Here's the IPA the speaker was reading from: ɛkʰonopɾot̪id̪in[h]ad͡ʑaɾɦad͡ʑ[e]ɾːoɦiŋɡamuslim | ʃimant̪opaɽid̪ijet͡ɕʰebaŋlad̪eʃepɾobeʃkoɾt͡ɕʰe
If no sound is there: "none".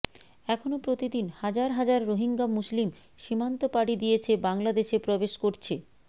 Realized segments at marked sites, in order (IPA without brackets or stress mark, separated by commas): h, a